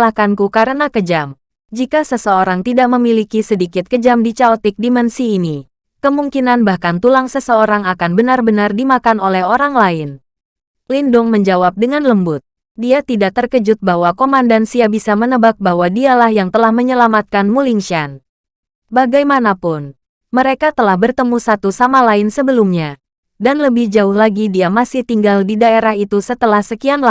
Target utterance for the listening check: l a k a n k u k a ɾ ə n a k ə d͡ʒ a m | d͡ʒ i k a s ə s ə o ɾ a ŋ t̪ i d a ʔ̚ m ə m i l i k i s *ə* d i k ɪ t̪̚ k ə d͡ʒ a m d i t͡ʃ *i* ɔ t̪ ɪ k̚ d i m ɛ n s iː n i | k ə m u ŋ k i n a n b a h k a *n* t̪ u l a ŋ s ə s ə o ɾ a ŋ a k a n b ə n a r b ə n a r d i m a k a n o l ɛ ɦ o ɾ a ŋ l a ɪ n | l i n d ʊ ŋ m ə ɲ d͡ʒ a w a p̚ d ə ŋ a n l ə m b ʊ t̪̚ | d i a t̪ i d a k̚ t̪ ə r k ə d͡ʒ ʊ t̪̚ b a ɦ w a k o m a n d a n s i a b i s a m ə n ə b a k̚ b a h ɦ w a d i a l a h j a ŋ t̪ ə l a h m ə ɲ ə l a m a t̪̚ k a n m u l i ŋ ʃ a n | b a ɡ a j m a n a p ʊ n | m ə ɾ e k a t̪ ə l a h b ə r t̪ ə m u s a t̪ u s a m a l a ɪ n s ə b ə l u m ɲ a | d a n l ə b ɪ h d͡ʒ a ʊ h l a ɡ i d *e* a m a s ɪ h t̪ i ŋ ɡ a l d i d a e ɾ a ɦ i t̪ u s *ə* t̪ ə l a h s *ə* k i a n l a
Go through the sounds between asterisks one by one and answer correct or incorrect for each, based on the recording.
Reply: correct, incorrect: a, correct, incorrect: i, correct, correct

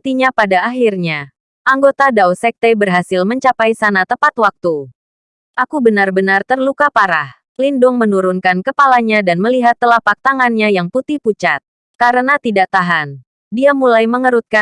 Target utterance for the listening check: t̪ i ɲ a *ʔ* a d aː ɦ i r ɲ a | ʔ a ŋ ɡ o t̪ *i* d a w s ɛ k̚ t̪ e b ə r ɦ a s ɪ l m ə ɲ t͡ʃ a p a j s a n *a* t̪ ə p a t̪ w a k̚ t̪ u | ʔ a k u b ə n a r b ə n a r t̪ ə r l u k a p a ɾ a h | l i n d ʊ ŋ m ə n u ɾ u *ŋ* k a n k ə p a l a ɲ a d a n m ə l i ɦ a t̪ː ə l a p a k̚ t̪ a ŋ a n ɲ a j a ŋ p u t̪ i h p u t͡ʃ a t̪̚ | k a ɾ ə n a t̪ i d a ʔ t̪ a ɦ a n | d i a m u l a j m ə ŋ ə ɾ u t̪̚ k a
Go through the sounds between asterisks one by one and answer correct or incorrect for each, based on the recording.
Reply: incorrect: p, incorrect: a, correct, incorrect: n

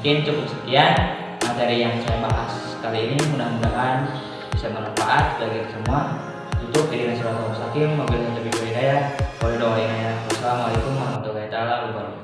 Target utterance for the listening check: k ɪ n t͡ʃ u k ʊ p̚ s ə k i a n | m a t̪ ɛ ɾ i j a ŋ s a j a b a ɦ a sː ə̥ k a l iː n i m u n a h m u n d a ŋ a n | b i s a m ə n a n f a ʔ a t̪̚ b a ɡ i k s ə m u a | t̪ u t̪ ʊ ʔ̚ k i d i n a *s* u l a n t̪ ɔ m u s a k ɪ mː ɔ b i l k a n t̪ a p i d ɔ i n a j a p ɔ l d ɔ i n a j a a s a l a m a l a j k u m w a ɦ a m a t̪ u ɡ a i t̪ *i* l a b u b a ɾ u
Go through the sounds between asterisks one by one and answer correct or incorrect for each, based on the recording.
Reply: correct, incorrect: a

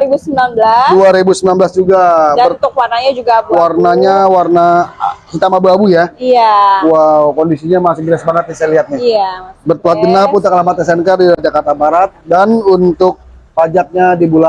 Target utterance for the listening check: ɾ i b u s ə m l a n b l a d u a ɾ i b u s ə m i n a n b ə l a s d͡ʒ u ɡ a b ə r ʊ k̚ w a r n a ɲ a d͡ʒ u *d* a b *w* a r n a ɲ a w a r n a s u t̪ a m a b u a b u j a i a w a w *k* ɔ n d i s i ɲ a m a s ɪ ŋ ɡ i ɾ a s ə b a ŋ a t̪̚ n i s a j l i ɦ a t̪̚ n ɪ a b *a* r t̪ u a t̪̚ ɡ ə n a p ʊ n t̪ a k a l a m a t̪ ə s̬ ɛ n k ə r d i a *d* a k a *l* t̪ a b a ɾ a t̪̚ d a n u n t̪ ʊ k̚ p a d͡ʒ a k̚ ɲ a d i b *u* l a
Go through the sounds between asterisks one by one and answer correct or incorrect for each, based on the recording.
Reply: incorrect: ɡ, correct, correct, incorrect: ə, incorrect: d͡ʒ, incorrect: r, correct

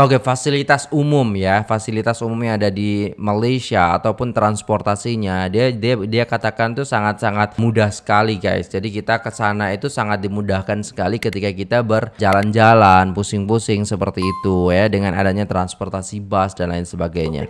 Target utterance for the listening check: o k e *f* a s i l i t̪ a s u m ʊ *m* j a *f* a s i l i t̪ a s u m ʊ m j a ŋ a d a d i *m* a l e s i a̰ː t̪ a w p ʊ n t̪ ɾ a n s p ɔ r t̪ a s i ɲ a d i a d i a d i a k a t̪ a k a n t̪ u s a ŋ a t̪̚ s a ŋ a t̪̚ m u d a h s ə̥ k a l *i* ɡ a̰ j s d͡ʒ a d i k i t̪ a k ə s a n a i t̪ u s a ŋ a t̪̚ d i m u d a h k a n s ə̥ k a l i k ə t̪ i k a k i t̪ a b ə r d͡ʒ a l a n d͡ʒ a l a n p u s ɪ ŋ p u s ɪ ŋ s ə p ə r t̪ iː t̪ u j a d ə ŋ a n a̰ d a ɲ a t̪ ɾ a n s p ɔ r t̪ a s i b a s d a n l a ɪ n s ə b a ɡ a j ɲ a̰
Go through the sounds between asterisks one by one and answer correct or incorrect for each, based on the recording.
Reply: correct, correct, correct, correct, correct

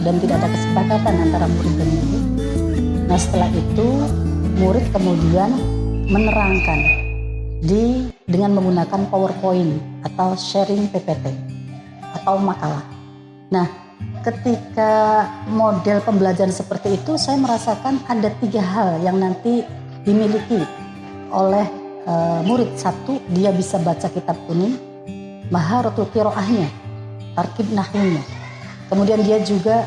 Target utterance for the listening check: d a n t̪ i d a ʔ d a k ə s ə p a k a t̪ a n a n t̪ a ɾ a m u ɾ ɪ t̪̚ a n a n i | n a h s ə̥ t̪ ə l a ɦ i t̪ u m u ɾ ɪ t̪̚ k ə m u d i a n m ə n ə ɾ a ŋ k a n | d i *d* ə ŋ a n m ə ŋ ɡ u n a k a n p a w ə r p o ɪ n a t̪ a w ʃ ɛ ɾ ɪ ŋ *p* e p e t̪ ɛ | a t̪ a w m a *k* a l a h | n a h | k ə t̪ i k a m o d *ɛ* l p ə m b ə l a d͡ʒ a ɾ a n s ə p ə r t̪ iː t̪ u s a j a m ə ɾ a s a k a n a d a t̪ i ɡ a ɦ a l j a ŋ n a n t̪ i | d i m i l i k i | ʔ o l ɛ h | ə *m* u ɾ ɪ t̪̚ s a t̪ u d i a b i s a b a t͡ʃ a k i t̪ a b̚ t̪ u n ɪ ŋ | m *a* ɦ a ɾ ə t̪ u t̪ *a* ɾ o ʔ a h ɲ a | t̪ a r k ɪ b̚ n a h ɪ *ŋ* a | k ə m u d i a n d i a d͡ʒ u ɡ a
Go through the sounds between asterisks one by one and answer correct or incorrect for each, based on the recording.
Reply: correct, correct, correct, correct, correct, correct, incorrect: i, incorrect: ɲ

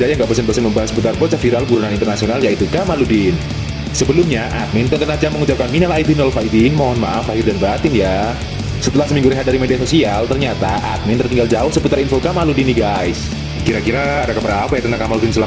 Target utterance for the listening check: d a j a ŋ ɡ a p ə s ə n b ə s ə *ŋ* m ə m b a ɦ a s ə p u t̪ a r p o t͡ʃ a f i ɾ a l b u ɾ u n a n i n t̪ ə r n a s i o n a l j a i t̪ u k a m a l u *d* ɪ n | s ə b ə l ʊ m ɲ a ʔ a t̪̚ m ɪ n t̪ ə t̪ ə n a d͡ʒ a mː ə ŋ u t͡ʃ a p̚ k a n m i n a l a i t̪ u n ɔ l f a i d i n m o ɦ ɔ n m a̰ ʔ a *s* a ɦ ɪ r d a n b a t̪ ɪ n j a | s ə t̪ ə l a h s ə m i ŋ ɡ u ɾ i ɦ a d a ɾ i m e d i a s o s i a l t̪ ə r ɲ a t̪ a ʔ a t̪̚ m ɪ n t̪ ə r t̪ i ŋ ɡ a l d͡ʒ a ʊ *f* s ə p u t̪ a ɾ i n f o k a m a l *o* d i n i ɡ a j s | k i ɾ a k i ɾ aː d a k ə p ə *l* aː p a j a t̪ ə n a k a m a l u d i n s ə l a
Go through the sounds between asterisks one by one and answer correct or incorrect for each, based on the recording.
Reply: incorrect: n, correct, incorrect: f, incorrect: h, incorrect: u, incorrect: ɾ

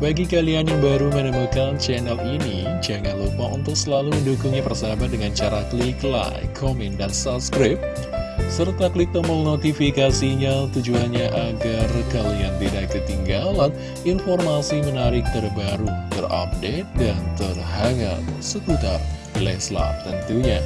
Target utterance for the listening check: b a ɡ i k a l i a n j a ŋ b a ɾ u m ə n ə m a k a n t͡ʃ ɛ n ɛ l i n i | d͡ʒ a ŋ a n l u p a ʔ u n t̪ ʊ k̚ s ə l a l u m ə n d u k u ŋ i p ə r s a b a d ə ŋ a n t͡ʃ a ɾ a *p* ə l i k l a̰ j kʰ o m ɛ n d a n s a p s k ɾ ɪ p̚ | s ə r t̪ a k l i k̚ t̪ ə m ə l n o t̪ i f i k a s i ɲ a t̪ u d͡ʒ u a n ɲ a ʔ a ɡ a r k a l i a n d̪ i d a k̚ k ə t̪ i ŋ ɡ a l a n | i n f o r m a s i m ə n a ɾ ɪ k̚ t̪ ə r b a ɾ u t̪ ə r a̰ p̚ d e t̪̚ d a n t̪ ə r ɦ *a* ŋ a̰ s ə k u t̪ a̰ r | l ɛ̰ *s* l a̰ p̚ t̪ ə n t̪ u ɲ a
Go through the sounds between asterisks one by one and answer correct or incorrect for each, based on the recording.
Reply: incorrect: k, correct, correct

